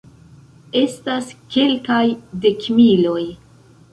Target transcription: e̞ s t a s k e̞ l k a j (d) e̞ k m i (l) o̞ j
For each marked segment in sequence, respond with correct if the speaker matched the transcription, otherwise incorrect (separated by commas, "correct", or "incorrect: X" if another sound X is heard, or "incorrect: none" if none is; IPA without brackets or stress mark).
correct, correct